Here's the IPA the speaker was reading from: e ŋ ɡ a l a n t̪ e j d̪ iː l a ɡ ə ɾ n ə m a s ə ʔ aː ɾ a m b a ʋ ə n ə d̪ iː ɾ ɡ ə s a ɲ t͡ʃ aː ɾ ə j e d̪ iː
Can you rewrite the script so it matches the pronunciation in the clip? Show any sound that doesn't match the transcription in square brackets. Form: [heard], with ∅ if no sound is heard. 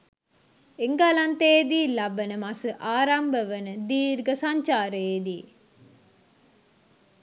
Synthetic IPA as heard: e ŋ ɡ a l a n t̪ e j d̪ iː l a [b] ə [∅] n ə m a s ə ʔ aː ɾ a m b [ə] ʋ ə n ə d̪ iː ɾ ɡ ə s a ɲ t͡ʃ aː ɾ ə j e d̪ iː